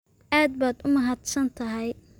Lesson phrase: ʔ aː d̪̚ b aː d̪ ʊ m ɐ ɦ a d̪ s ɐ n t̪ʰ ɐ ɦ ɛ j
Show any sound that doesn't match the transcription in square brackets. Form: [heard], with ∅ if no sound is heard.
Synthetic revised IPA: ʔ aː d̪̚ b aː d̪ ʊ m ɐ ɦ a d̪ s ɐ n t̪ʰ ɐ ɦ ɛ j